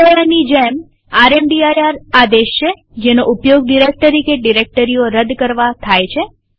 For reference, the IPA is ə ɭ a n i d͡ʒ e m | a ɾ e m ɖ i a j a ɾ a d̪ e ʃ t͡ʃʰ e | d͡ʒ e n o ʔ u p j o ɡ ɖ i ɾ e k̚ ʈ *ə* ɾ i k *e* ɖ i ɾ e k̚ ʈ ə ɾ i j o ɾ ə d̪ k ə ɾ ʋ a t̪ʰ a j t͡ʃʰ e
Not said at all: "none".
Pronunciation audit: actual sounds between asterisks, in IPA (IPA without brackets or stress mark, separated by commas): ə, e